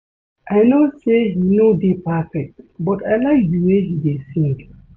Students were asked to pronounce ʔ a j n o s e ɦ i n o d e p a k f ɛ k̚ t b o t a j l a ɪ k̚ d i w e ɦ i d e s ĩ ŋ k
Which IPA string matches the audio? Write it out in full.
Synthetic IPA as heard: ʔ a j n o s e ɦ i n o d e p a f ɛ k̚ t b ɔ t a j l a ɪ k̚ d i w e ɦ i d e s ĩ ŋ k